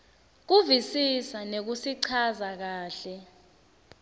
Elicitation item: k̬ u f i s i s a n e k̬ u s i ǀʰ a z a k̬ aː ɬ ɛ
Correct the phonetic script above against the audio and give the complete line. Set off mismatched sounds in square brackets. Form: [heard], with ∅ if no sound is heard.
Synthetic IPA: k̬ u [v] i s i s a n e k̬ u s i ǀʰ a z a k̬ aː ɬ ɛ